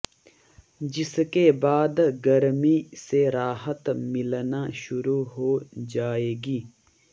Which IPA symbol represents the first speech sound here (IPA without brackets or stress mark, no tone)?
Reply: d͡ʒ